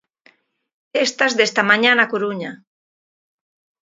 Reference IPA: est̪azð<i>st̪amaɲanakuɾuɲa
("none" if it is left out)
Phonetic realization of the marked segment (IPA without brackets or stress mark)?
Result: e